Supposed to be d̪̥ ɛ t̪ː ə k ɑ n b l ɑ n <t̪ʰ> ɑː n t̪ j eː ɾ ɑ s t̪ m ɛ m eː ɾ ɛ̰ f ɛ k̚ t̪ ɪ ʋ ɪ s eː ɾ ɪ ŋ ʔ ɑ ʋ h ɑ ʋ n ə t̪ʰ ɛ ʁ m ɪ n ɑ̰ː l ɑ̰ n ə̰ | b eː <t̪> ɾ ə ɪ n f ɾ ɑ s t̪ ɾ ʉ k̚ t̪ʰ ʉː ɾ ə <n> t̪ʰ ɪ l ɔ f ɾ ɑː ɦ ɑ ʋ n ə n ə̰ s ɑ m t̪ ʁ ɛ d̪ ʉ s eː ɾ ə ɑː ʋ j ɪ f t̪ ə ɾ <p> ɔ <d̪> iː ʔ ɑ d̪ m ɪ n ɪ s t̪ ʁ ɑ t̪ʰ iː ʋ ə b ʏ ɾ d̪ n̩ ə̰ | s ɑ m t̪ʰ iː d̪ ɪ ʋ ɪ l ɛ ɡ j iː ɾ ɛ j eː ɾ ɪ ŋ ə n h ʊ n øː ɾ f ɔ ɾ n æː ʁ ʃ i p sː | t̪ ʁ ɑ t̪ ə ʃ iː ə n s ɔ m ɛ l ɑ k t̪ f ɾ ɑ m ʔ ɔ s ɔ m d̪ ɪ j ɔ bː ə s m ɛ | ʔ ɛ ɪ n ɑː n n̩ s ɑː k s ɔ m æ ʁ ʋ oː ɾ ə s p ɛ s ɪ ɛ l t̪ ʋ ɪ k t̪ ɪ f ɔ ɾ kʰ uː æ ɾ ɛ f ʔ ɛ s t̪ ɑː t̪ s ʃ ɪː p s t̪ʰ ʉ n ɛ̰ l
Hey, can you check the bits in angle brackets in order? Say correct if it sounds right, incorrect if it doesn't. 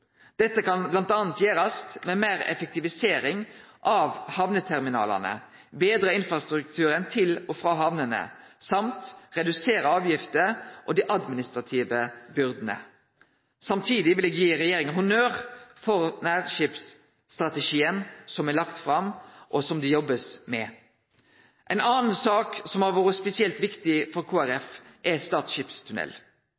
incorrect: t̪, incorrect: d̪, correct, incorrect: ʔ, correct

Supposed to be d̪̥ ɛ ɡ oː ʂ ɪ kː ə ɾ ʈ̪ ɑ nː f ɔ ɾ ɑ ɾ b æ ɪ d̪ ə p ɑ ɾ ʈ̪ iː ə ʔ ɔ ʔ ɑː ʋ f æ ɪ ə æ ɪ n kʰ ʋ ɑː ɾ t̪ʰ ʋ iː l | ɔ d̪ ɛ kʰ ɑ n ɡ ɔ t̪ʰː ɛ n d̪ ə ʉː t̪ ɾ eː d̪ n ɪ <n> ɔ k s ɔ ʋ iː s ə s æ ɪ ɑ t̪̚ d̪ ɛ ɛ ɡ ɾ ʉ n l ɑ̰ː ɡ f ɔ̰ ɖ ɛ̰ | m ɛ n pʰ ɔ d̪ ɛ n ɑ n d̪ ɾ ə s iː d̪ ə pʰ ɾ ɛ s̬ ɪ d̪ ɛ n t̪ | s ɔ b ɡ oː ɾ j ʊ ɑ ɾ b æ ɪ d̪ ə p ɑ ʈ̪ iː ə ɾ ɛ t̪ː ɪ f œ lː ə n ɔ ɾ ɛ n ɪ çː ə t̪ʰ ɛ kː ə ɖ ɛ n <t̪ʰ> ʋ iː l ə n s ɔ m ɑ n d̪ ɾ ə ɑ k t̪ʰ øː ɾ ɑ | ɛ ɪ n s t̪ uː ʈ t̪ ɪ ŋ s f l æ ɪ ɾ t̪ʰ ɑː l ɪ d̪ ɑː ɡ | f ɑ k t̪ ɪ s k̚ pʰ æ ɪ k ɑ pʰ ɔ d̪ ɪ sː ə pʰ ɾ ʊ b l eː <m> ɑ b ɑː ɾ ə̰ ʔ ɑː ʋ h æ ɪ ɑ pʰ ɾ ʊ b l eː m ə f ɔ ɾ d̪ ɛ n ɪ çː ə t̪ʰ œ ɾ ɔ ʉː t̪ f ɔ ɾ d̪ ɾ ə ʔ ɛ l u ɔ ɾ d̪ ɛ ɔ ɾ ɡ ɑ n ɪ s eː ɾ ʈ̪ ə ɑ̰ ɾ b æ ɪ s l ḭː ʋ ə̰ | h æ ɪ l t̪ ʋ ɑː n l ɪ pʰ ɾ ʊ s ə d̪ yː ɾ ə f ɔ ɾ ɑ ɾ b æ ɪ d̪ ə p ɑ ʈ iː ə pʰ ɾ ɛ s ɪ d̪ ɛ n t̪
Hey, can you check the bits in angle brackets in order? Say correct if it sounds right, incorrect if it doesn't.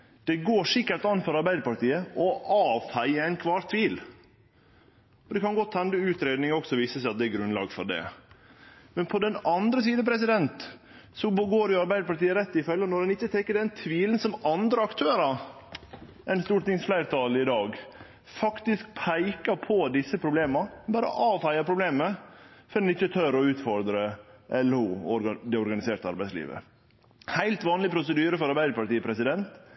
incorrect: ŋ, correct, correct

